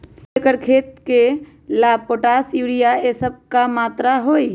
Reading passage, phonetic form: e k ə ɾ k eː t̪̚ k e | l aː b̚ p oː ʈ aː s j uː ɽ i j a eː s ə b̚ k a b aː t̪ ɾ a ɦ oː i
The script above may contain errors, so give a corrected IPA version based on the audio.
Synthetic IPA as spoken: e k ə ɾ kʰ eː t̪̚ k e | l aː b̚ p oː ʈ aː s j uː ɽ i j a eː s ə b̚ k a m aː t̪ ɾ a ɦ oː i

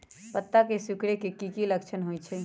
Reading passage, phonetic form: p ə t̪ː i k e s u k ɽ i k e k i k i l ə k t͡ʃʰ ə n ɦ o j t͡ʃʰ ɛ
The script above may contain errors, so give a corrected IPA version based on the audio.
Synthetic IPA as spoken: p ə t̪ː a k e s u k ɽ e k e k i k i l ə k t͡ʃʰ ə n ɦ o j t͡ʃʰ ɛ

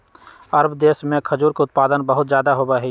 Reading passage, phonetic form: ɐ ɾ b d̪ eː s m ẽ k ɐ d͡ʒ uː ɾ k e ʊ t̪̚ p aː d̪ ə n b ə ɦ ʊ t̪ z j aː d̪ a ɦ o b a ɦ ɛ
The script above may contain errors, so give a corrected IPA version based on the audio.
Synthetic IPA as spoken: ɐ ɾ b d̪ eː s m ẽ kʰ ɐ d͡ʒ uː ɾ k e ʊ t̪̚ p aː d̪ ə n b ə ɦ ʊ t̪ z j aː d̪ a ɦ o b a ɦ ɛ

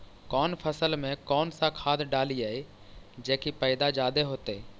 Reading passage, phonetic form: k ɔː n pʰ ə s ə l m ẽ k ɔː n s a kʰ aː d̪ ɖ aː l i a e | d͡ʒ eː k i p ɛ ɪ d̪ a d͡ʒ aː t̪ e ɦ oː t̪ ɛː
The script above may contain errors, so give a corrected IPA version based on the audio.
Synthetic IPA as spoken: k ɔː n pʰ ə s ə l m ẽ k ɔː n s a kʰ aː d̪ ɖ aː l i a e | d͡ʒ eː k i p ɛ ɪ d̪ a d͡ʒ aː d̪ e ɦ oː t̪ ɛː

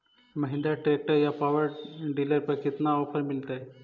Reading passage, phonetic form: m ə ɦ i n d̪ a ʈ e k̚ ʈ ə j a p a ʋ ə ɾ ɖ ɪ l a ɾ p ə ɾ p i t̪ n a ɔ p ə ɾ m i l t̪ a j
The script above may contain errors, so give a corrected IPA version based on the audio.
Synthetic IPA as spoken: m ə ɦ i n d̪ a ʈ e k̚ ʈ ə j a p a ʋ ə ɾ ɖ i l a ɾ p ə ɾ k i t̪ n a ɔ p ə ɾ m i l t̪ a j

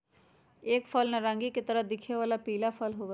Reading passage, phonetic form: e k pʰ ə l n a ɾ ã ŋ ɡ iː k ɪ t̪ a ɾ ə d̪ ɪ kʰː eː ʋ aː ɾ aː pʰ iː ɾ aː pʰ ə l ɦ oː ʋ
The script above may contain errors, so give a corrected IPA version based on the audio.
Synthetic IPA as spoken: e k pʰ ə l n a ɾ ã ŋ ɡ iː k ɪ t̪ ə ɾ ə d̪ ɪ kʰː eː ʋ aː l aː p iː l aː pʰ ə l ɦ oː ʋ

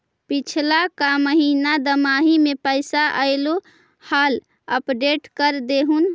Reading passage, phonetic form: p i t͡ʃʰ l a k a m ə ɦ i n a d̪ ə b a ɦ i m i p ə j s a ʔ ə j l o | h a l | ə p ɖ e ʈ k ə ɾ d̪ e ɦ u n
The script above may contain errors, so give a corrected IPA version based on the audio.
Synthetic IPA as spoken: p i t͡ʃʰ l a k a m ə ɦ i n a d̪ ə m a ɦ i m e p ə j s a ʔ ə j l o | h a l | ə p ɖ e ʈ k ə ɾ d̪ e ɦ u n

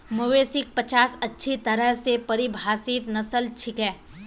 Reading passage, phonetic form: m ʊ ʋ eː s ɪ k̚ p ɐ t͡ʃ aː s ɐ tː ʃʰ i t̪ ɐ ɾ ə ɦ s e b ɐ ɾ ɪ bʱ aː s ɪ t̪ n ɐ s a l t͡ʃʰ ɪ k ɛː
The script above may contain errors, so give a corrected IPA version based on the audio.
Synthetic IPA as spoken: m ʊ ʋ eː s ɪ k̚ p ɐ t͡ʃ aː s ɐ tː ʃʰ i t̪ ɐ ɾ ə ɦ s e p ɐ ɾ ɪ bʱ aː s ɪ t̪ n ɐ s ə l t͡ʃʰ ɪ k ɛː

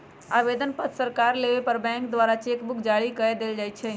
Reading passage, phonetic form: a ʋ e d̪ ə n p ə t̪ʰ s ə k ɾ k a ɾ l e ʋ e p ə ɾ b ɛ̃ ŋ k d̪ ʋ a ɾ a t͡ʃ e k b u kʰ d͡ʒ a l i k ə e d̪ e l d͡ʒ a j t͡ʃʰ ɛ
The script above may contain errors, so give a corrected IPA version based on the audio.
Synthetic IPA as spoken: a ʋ e d̪ ə n p ə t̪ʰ s ə ɾ k a ɾ l e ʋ e p ə ɾ b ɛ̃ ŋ k d̪ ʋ a ɾ a t͡ʃ e k b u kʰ d͡ʒ a ɽ i k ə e d̪ e l d͡ʒ a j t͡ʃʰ ɛ

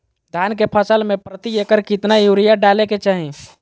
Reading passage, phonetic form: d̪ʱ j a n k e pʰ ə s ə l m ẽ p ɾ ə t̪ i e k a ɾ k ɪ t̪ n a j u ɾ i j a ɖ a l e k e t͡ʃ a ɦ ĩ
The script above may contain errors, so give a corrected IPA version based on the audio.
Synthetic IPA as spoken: d̪ʱ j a n k e pʰ ə s ə l m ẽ p ɾ ə t̪ i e k ə ɾ k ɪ t̪ n a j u ɾ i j a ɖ a l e k e t͡ʃ a ɦ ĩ

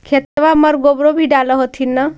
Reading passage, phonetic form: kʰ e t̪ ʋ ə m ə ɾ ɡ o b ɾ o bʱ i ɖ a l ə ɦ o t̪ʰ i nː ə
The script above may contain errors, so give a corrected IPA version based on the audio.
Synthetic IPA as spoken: kʰ e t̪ ʋ a m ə ɾ ɡ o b ɾ o bʱ i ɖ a l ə ɦ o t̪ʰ i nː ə

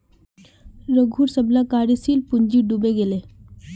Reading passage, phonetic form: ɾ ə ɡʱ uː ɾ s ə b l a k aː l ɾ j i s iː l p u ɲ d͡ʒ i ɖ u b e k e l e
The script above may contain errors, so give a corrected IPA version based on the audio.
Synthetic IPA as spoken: ɾ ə ɡʱ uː ɾ s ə b l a k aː ɾ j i s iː l p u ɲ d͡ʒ i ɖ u b e ɡ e l e

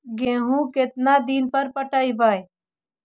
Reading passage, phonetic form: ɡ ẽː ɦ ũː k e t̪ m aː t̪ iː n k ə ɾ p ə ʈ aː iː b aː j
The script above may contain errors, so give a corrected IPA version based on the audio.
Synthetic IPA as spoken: ɡ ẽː ɦ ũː k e t̪ n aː d̪ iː n p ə ɾ p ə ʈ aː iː b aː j

